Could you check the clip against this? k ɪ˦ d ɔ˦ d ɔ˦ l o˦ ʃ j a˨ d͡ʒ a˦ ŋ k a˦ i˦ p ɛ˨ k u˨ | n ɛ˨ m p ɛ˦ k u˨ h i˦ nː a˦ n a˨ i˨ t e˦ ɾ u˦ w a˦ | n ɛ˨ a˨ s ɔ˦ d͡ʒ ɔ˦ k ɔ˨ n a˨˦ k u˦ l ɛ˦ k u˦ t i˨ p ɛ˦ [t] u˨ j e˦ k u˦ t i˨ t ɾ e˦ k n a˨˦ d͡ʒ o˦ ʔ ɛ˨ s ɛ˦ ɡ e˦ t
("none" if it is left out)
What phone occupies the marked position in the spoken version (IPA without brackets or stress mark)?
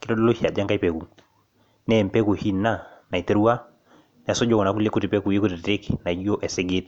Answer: k